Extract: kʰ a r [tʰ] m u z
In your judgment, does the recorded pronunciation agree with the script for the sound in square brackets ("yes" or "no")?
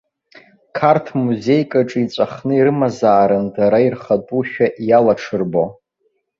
yes